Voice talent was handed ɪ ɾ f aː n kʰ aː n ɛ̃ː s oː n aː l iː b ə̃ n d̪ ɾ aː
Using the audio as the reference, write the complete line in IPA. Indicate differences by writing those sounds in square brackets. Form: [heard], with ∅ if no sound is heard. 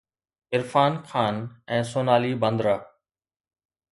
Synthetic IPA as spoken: ɪ ɾ f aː n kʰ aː n ɛ̃ː s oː n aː l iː b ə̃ n d̪ ɾ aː